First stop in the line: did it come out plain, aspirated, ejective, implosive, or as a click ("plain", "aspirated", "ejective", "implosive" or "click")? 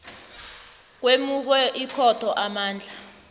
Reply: plain